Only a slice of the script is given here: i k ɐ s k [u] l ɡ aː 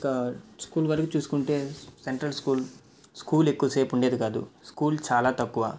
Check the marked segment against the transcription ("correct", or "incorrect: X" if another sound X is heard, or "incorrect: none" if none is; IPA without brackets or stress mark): incorrect: uː